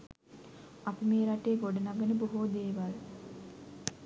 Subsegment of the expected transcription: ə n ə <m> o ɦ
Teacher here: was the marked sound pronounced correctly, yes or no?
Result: no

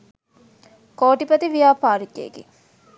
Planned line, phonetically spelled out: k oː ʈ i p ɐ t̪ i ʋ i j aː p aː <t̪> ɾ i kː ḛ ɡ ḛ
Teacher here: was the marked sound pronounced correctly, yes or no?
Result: no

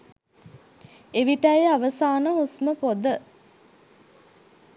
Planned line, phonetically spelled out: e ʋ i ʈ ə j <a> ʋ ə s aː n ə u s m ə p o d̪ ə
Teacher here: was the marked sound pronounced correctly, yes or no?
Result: yes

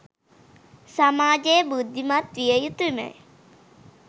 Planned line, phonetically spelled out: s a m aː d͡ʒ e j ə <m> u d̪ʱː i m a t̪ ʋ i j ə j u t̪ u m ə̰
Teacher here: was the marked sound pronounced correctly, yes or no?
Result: no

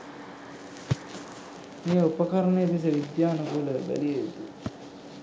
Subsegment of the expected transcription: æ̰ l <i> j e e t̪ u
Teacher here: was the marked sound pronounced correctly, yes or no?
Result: yes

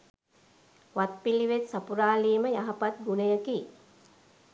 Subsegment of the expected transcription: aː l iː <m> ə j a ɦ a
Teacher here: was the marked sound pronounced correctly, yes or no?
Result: yes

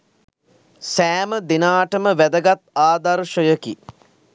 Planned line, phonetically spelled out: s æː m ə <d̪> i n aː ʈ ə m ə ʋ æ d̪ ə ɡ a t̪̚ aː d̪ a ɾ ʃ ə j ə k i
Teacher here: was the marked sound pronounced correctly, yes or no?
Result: yes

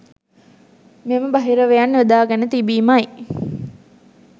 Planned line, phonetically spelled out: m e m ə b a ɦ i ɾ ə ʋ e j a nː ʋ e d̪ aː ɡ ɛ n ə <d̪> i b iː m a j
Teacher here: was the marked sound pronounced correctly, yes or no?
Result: no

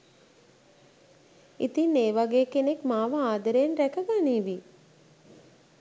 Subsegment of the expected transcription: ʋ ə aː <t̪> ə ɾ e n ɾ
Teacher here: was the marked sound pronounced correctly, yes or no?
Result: no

